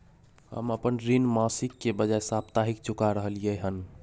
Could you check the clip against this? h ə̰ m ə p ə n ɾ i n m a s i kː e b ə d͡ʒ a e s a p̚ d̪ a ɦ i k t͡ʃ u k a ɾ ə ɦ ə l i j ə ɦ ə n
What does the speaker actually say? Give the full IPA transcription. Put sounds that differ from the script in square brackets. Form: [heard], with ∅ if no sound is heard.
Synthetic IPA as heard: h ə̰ m ə p ə n ɾ i n m a s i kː e b ə d͡ʒ a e s a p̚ [t̪] a ɦ i k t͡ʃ u k a ɾ ə ɦ ə l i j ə ɦ ə n